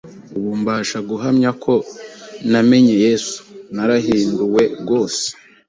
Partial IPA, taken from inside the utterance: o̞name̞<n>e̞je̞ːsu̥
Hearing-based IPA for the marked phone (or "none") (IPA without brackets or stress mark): ɲ